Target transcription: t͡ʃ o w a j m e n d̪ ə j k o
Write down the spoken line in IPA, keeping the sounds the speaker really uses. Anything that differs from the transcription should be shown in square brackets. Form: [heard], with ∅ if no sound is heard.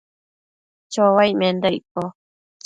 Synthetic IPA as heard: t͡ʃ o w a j m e n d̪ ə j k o